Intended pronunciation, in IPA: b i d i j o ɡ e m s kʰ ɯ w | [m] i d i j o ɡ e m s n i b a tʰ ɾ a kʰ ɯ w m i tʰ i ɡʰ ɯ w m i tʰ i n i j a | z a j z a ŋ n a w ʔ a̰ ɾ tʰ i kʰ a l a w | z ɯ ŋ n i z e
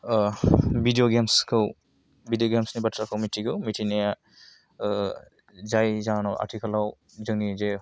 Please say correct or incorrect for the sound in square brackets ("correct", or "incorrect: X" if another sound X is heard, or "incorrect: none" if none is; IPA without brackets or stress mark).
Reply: incorrect: b